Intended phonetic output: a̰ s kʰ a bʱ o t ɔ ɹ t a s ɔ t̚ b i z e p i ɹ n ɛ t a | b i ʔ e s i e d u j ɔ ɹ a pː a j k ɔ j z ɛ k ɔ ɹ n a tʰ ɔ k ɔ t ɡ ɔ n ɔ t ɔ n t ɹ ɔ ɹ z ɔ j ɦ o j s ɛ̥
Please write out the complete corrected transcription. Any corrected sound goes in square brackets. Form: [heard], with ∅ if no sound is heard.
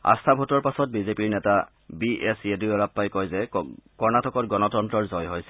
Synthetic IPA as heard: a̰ s [tʰ] a bʱ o t ɔ ɹ [p] a s ɔ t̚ b i z e p i ɹ n ɛ t a | b i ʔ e s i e d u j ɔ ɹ a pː a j k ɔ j z ɛ k ɔ ɹ n a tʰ ɔ k ɔ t ɡ ɔ n ɔ t ɔ n t ɹ ɔ ɹ z ɔ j ɦ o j s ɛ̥